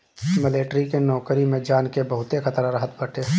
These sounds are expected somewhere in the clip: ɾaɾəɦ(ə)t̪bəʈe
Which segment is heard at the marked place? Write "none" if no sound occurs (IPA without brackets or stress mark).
ə